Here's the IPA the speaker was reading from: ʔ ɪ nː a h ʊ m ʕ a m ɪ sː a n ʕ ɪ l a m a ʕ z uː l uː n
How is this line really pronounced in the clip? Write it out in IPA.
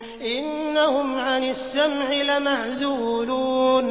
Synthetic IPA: ʔ ɪ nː a h ʊ m ʕ a n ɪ sː a m ʕ ɪ l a m a ʕ z uː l uː n